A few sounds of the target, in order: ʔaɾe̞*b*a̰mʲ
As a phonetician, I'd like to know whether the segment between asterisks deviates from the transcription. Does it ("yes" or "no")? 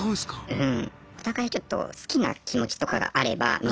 no